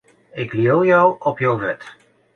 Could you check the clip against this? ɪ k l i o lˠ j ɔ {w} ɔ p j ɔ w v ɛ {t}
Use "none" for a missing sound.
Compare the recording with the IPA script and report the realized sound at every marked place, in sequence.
w, t

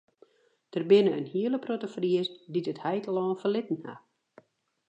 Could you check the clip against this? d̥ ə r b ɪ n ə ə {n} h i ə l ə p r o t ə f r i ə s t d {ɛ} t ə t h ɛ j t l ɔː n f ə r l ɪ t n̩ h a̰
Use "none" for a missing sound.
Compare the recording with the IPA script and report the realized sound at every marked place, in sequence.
n, i

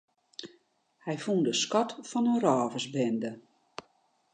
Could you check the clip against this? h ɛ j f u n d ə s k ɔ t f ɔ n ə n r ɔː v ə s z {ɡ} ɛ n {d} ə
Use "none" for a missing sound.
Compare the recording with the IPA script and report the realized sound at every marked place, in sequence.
b, d

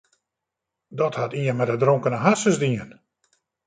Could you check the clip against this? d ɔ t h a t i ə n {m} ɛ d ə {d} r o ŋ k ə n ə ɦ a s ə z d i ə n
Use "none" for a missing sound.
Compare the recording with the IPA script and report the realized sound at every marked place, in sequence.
m, d

